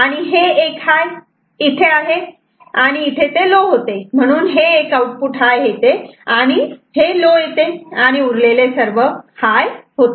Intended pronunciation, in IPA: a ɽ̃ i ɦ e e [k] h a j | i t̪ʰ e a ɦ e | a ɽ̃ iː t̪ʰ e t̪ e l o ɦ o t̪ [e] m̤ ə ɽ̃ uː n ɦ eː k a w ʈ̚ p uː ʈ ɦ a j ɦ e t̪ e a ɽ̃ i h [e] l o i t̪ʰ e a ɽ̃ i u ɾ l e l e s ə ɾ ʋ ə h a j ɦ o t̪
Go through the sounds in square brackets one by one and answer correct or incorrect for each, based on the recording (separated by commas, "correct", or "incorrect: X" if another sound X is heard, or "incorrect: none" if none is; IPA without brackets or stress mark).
correct, correct, correct